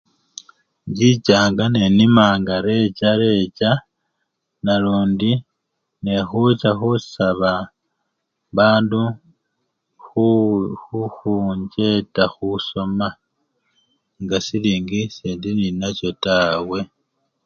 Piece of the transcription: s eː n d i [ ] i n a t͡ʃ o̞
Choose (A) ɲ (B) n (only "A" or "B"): B